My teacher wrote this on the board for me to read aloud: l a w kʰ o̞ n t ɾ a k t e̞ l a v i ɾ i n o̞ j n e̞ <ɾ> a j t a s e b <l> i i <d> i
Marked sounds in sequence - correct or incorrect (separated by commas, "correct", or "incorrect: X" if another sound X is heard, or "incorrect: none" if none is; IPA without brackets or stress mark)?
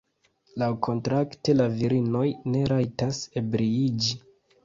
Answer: correct, incorrect: ɾ, incorrect: d͡ʒ